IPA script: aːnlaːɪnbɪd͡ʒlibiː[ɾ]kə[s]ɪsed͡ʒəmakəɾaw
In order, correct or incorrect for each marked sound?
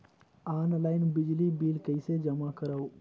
incorrect: l, incorrect: none

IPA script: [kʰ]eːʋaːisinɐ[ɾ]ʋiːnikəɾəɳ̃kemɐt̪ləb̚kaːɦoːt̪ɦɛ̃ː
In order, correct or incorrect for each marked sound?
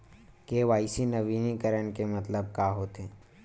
incorrect: k, incorrect: none

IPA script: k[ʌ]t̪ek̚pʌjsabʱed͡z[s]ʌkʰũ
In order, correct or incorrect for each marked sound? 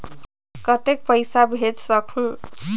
correct, correct

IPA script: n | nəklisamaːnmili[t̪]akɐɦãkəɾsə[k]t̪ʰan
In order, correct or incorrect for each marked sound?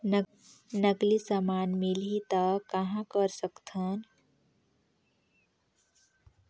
correct, correct

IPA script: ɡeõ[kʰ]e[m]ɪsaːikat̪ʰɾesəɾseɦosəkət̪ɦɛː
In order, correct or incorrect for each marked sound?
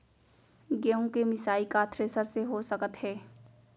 incorrect: k, correct

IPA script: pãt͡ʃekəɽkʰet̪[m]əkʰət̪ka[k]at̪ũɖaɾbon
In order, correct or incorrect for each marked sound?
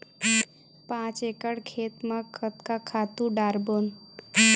correct, incorrect: kʰ

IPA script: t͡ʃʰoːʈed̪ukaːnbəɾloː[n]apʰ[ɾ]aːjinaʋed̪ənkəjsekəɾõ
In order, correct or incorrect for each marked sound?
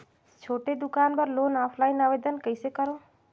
correct, incorrect: l

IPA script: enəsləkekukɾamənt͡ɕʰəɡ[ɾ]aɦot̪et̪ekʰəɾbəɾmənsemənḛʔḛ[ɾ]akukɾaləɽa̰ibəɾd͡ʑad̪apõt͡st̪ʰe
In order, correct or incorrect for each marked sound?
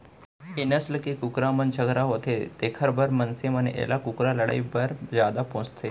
correct, incorrect: l

